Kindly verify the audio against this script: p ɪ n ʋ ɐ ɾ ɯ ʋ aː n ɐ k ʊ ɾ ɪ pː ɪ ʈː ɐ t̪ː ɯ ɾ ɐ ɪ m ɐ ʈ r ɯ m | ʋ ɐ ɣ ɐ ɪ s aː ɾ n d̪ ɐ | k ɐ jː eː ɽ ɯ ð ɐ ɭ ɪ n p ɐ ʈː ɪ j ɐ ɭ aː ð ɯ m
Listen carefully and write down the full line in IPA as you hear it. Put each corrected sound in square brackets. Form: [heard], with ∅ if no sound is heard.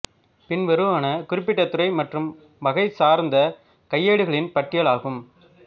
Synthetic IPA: p ɪ n ʋ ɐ ɾ ɯ ʋ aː n ɐ k ʊ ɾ ɪ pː ɪ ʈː ɐ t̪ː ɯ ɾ ɐ ɪ m ɐ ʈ r ɯ m | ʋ ɐ ɣ ɐ ɪ s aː ɾ n d̪ ɐ | k ɐ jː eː ɽ ɯ [ɣ] ɐ ɭ ɪ n p ɐ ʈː ɪ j ɐ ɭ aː [ɣ] ɯ m

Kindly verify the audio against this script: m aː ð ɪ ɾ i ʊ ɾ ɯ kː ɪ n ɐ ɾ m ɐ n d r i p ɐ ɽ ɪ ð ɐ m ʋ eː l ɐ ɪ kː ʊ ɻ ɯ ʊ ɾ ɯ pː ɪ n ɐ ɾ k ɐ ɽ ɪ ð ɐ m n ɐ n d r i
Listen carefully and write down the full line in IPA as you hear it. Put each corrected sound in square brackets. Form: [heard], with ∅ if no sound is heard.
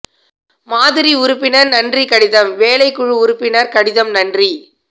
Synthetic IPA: m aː ð ɪ ɾ i ʊ ɾ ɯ [pː] ɪ n ɐ ɾ [n] ɐ n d r i [k] ɐ ɽ ɪ ð ɐ m ʋ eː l ɐ ɪ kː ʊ ɻ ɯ ʊ ɾ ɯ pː ɪ n ɐ ɾ k ɐ ɽ ɪ ð ɐ m n ɐ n d r i

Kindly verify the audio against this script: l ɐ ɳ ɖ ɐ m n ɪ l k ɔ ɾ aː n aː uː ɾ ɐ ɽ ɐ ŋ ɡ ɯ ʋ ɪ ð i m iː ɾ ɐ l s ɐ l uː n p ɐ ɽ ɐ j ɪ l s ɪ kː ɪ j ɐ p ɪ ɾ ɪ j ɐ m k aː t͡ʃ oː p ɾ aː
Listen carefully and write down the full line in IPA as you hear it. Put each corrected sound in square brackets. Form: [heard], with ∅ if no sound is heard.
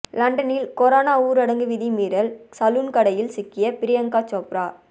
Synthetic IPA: l ɐ ɳ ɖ ɐ [∅] n ɪ l k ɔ ɾ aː n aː uː ɾ ɐ ɽ ɐ ŋ ɡ ɯ ʋ ɪ ð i m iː ɾ ɐ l s ɐ l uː n [k] ɐ ɽ ɐ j ɪ l s ɪ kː ɪ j ɐ p ɪ ɾ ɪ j ɐ [ŋ] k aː t͡ʃ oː p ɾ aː

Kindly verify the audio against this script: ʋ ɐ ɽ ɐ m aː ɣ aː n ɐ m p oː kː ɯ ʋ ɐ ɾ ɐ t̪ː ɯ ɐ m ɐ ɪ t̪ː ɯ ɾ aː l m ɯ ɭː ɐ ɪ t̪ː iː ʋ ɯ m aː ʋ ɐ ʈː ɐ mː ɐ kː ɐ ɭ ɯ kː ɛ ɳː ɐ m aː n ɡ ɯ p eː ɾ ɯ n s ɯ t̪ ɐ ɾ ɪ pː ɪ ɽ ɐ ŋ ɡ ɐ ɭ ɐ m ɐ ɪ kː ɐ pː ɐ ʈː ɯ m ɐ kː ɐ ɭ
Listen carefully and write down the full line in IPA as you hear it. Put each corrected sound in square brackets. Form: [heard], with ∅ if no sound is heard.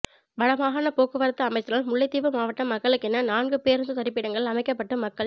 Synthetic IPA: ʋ ɐ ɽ ɐ m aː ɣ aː n ɐ [∅] p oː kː ɯ ʋ ɐ ɾ ɐ t̪ː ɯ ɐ m ɐ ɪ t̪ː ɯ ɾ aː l m [ʊ] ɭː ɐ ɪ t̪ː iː ʋ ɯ m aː ʋ ɐ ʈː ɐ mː ɐ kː ɐ ɭ ɯ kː ɛ [nː] ɐ [n] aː n ɡ ɯ p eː ɾ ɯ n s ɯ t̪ ɐ ɾ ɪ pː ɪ ɽ ɐ ŋ ɡ ɐ ɭ ɐ m ɐ ɪ kː ɐ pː ɐ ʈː ɯ m ɐ kː ɐ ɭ

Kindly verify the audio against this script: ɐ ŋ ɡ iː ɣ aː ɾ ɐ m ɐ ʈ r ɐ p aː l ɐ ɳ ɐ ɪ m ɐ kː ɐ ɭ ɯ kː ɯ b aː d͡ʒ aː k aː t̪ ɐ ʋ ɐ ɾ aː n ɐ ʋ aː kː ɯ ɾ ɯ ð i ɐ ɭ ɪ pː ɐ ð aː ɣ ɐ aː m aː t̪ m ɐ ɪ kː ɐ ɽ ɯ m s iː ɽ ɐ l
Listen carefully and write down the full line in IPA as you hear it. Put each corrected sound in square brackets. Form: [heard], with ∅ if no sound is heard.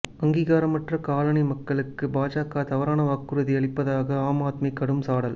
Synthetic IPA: ɐ ŋ ɡ iː ɣ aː ɾ ɐ m ɐ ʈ r ɐ [k] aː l ɐ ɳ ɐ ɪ m ɐ kː ɐ ɭ ɯ kː ɯ b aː d͡ʒ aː k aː t̪ ɐ ʋ ɐ ɾ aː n ɐ ʋ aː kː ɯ ɾ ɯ ð i ɐ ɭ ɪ pː ɐ ð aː ɣ ɐ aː m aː t̪ m ɐ ɪ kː ɐ ɽ ɯ m s [aː] ɽ ɐ l

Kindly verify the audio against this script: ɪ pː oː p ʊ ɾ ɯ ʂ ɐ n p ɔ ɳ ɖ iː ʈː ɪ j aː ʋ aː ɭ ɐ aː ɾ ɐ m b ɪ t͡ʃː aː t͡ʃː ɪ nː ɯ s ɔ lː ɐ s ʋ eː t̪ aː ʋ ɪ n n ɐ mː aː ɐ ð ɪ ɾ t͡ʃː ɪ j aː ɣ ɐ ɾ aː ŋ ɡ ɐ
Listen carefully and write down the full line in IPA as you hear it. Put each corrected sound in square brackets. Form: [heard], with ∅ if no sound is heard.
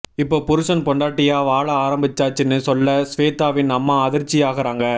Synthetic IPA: ɪ pː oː p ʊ ɾ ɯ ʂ ɐ n p ɔ ɳ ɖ [aː] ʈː ɪ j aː ʋ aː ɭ ɐ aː ɾ ɐ m b ɪ t͡ʃː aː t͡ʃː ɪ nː ɯ s ɔ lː ɐ s ʋ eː t̪ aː ʋ ɪ n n ɐ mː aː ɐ ð ɪ ɾ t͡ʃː ɪ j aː ɣ ɐ ɾ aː ŋ ɡ ɐ

